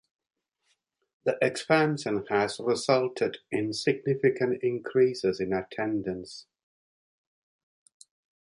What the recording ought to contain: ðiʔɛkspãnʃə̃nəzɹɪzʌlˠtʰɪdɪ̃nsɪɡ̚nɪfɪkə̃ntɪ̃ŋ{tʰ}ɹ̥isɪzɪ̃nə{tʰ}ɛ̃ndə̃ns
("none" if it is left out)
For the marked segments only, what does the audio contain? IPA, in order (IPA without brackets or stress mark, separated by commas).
kʰ, tʰ